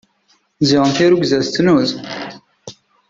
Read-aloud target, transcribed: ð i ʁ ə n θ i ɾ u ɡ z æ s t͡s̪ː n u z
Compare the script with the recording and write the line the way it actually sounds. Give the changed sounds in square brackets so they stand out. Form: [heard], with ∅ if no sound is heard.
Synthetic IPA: [z] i ʁ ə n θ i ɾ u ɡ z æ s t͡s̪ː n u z